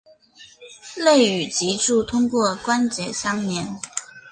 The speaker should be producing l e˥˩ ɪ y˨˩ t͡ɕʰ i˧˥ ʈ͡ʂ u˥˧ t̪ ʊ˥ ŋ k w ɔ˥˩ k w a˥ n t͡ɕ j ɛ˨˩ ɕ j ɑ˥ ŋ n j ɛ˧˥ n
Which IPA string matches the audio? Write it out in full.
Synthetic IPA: l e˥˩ ɪ y˨˩ t͡ɕ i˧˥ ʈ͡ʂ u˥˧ t̪ʰ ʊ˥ ŋ k w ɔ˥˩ k w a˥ n t͡ɕ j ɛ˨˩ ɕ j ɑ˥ ŋ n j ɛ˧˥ n